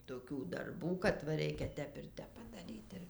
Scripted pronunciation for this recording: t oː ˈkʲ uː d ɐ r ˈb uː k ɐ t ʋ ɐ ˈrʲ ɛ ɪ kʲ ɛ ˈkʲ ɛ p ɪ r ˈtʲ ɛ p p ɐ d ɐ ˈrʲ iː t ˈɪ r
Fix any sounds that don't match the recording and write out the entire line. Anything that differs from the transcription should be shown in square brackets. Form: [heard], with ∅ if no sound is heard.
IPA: t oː ˈkʲ uː d ɐ r ˈb uː k ɐ t ʋ ɐ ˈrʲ ɛ ɪ kʲ ɛ [ˈtʲ] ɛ p ɪ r ˈtʲ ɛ p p ɐ d ɐ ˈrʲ iː t ˈɪ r